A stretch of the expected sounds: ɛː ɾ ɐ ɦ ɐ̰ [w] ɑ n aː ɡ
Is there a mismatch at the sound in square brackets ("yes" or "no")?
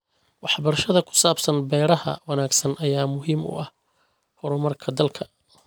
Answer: no